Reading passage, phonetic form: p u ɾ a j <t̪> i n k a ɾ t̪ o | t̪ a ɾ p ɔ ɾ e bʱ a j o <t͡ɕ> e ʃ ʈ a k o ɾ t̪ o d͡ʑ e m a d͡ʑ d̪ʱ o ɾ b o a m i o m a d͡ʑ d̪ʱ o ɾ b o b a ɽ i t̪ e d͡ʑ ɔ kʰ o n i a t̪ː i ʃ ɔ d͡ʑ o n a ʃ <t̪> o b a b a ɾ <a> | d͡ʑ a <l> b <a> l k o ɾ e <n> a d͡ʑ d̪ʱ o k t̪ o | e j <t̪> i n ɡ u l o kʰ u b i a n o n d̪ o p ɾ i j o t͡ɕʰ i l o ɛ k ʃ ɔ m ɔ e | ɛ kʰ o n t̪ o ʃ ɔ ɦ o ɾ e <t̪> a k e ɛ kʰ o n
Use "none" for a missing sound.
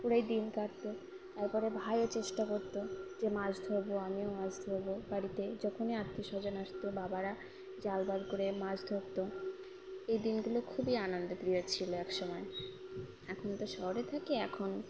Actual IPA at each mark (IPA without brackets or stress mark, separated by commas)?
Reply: d̪, t͡ɕ, t̪, a, l, a, m, d̪, t̪ʰ